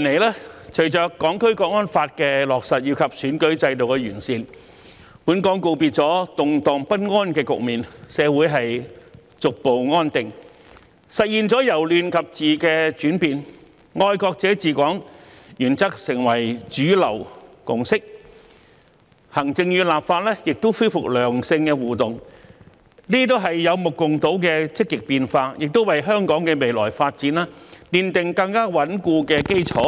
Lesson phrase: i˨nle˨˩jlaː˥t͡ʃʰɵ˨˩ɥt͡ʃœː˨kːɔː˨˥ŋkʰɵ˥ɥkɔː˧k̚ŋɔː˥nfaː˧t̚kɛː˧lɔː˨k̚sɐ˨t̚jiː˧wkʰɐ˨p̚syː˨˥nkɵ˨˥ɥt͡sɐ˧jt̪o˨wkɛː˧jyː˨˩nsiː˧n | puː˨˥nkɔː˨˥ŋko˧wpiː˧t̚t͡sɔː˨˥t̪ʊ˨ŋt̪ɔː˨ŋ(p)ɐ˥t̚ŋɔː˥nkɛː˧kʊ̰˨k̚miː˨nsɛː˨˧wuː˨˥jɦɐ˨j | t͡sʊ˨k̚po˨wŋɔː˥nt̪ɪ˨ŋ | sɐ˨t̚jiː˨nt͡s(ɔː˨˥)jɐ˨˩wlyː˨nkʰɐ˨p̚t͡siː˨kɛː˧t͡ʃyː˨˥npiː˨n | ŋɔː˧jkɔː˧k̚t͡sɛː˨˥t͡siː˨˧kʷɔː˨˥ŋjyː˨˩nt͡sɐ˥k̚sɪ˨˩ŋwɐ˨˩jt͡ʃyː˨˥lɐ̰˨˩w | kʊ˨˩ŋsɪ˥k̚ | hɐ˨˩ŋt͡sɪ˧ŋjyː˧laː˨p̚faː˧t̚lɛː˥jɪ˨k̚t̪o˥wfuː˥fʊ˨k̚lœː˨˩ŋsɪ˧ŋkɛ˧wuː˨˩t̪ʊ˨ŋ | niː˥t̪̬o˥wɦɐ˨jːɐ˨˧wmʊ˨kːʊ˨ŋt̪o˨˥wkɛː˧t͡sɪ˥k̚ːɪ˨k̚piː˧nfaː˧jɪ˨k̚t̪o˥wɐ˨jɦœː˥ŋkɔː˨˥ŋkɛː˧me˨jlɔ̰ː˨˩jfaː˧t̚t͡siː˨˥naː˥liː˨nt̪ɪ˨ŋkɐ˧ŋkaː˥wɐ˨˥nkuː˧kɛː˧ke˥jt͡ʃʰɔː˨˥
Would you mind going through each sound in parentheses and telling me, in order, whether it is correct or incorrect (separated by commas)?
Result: correct, correct